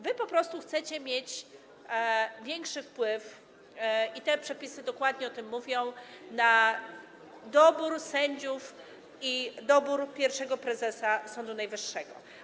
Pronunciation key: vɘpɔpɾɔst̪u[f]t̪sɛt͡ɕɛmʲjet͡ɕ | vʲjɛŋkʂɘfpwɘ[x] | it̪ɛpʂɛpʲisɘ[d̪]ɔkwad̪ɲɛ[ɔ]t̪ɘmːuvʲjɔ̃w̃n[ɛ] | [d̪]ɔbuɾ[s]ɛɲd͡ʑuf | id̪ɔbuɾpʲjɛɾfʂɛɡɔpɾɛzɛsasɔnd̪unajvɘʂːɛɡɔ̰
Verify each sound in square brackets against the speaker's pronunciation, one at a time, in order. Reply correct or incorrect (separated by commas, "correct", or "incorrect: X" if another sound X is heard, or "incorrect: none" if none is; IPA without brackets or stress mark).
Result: incorrect: x, incorrect: f, correct, correct, incorrect: a, correct, correct